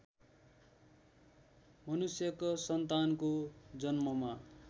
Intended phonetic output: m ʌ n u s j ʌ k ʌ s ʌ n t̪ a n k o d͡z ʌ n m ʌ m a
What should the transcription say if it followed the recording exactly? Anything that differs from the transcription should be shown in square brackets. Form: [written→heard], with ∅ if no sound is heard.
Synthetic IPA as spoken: m ʌ n u s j ʌ k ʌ s ʌ n t̪ a n k o d͡z ʌ n m ʌ m a